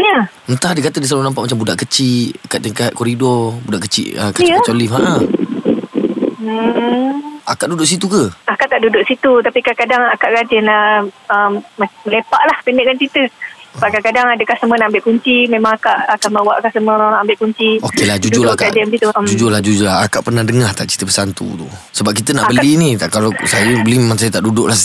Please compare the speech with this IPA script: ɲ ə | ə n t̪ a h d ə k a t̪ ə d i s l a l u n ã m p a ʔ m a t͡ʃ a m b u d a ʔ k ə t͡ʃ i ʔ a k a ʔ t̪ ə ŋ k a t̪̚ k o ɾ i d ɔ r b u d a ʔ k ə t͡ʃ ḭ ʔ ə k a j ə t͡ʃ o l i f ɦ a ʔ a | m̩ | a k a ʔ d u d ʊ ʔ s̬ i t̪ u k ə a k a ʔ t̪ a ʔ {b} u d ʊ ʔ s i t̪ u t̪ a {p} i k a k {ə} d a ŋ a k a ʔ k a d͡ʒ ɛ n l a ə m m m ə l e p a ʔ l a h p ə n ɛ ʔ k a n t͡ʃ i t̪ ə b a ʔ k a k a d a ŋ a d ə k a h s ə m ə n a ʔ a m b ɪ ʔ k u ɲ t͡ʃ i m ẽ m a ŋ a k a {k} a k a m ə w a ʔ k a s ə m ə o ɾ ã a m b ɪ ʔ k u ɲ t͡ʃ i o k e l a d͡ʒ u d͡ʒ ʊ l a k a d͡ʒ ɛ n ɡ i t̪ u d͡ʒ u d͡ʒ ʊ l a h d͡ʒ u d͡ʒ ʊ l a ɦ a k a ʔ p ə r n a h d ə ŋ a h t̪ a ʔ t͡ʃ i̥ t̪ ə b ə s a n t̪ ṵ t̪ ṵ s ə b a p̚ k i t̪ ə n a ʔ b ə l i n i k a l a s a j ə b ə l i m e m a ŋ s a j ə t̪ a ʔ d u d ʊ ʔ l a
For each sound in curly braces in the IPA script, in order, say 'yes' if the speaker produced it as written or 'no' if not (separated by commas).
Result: no, yes, no, no